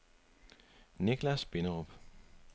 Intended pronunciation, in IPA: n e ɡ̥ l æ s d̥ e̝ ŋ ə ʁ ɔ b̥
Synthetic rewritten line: n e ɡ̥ l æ s b̥ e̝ n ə ʁ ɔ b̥